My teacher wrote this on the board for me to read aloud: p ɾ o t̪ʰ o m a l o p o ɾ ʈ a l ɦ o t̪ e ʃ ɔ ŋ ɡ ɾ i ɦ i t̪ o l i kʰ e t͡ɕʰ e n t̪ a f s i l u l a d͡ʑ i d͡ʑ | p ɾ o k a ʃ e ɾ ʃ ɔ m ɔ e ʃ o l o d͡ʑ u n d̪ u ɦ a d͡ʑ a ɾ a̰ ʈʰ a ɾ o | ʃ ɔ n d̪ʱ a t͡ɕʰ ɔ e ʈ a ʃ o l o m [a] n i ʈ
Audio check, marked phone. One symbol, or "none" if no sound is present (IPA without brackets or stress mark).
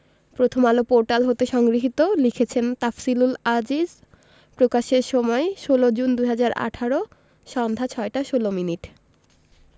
i